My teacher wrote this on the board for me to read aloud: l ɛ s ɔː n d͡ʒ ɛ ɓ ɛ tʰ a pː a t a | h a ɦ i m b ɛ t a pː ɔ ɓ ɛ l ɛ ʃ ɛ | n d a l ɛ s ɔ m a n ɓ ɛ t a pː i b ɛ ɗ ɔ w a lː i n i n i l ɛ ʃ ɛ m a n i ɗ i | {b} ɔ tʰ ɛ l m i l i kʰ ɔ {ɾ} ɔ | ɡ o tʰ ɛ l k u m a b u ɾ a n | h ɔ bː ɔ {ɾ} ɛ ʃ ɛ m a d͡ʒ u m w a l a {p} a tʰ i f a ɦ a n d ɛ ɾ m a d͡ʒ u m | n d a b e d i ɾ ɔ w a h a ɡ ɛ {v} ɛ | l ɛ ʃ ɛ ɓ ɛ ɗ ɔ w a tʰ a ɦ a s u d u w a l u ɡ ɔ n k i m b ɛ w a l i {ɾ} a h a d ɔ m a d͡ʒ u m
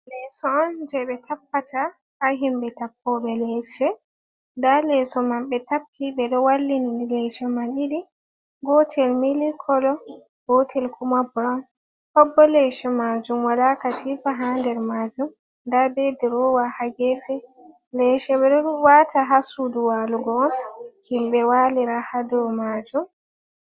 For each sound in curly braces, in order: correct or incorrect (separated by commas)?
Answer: incorrect, incorrect, incorrect, incorrect, incorrect, correct